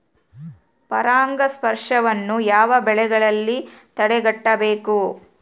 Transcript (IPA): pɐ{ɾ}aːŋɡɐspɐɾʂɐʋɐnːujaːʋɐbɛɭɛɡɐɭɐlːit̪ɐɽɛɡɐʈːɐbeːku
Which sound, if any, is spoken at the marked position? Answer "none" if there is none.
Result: ɾ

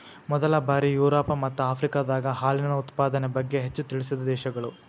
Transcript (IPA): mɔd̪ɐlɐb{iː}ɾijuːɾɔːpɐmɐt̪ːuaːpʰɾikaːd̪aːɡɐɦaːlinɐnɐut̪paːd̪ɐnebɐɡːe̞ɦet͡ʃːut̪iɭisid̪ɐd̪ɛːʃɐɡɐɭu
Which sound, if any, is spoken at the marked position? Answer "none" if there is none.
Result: aː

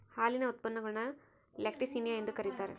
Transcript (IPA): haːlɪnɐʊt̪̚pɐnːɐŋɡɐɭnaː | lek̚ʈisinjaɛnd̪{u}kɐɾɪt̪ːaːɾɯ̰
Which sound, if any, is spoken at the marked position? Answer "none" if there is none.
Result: ɯ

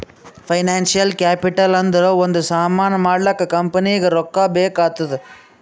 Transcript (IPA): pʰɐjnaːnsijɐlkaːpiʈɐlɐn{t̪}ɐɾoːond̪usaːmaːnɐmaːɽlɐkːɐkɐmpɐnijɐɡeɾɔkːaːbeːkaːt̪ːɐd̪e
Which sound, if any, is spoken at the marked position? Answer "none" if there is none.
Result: d̪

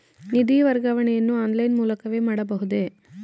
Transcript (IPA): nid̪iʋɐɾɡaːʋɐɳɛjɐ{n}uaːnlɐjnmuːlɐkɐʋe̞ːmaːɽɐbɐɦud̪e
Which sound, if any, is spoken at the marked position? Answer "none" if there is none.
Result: nː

